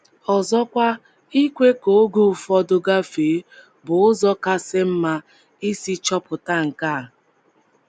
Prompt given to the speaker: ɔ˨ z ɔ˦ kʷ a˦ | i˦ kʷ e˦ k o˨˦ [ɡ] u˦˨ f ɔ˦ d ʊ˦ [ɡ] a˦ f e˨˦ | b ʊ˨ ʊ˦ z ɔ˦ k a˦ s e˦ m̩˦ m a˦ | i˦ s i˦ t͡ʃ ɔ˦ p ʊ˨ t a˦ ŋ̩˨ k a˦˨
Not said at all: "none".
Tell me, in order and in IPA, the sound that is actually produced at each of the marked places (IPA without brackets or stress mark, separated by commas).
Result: ɡ, ɡ